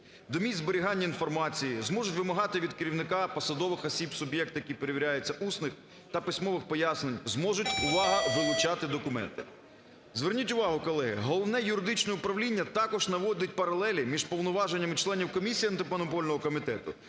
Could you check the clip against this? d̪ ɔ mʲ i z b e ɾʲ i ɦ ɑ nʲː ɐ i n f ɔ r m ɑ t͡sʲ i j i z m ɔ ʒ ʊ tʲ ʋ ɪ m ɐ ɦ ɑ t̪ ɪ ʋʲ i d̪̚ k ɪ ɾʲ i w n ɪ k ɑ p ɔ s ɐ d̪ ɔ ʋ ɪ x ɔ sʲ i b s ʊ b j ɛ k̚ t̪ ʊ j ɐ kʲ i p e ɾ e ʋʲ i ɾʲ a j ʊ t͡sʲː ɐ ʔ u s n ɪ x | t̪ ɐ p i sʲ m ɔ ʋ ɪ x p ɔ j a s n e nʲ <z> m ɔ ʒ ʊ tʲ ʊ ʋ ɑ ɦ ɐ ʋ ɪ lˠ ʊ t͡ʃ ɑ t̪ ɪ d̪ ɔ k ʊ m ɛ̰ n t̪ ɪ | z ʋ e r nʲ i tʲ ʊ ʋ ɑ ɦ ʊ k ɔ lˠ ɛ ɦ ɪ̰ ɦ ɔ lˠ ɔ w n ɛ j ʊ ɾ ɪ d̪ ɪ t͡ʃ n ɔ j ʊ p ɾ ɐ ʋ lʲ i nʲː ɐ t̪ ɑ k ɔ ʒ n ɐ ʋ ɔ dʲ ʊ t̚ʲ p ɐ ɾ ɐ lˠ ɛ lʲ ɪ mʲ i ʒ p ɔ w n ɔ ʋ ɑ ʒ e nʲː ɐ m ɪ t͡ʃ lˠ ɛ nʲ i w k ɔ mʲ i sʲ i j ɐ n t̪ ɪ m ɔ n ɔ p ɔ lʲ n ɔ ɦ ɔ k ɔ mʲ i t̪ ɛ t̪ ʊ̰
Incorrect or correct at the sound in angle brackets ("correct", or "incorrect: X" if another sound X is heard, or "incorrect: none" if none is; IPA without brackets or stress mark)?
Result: correct